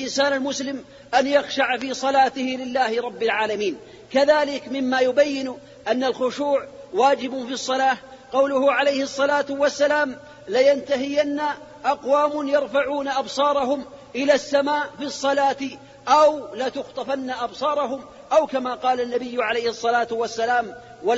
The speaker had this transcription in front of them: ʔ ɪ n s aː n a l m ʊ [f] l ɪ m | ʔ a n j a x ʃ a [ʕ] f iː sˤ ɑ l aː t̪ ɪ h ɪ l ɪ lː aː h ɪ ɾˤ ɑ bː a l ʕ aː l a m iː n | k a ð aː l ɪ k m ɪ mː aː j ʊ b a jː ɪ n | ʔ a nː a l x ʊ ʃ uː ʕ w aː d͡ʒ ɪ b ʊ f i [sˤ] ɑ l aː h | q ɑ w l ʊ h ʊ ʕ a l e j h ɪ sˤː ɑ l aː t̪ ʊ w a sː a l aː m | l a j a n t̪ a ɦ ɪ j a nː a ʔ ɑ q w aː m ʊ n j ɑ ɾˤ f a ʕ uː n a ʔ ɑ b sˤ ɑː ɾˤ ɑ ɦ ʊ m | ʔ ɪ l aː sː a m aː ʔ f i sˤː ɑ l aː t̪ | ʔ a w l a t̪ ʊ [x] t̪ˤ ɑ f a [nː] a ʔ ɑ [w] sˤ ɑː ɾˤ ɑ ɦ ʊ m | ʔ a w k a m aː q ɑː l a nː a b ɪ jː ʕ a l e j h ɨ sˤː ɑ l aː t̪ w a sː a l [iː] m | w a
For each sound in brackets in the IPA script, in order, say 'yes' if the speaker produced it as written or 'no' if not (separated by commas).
no, yes, no, yes, yes, no, no